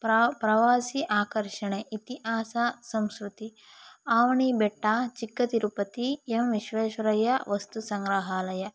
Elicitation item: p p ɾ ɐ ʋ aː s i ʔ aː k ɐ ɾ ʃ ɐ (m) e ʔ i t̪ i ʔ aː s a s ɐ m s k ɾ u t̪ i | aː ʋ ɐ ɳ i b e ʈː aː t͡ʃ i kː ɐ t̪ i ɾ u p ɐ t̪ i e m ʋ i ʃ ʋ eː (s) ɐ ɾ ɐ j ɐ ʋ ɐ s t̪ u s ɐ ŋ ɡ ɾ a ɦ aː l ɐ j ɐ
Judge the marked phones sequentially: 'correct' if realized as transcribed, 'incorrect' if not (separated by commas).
incorrect, incorrect